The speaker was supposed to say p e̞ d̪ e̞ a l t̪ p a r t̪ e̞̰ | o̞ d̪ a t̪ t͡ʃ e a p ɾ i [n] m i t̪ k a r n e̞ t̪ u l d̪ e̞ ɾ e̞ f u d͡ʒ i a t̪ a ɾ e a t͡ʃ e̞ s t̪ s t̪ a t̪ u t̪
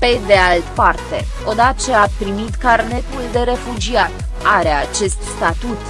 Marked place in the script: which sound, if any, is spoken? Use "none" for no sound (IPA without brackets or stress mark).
none